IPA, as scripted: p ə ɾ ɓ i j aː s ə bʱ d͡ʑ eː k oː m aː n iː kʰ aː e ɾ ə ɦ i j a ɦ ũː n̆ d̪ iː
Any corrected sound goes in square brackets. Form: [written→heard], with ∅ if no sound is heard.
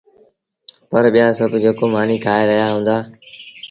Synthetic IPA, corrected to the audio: p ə ɾ ɓ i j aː s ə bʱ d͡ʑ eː k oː m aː n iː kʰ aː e ɾ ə ɦ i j a ɦ ũː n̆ d̪ [iː→aː]